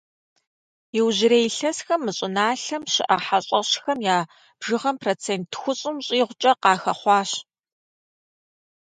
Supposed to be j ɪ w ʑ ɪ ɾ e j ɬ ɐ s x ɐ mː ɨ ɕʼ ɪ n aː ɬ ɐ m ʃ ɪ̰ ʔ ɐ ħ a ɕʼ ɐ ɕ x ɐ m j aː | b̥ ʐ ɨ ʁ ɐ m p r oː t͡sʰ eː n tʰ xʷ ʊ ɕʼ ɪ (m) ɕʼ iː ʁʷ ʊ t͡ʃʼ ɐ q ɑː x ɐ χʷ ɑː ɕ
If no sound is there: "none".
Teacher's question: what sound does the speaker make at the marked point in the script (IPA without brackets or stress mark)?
m